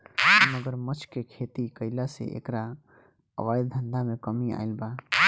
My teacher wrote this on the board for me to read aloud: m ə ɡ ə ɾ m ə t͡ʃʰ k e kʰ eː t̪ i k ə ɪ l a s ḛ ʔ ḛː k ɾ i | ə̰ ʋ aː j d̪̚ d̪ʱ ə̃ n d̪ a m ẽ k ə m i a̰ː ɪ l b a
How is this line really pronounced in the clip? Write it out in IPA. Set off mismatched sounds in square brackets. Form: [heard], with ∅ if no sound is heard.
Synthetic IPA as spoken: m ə ɡ ə ɾ m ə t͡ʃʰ k e kʰ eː t̪ i k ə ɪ l a s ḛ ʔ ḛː k ɾ [a] | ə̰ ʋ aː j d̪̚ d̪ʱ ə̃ n d̪ a m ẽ k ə m i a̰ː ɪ l b a